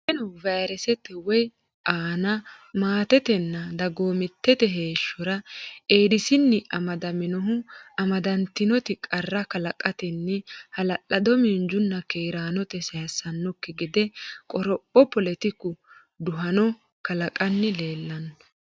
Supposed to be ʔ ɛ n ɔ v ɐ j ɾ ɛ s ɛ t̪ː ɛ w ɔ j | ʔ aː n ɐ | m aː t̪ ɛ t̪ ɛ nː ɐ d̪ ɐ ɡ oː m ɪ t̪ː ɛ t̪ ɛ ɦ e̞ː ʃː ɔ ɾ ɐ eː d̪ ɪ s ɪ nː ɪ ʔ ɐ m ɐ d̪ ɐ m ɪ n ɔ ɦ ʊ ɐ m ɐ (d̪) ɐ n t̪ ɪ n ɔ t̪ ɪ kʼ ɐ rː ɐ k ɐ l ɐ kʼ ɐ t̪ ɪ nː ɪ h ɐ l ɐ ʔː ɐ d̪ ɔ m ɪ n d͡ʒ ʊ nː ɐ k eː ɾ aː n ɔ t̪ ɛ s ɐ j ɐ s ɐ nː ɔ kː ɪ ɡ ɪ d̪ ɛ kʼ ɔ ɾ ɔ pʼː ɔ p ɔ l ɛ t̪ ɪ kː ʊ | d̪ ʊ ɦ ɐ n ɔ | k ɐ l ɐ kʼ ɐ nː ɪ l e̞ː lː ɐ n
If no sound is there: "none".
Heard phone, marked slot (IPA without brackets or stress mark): d̪